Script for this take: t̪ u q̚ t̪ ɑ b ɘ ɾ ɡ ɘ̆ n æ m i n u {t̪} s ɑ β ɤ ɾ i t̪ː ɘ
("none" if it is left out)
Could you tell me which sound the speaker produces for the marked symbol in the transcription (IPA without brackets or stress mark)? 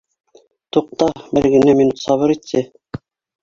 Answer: t̪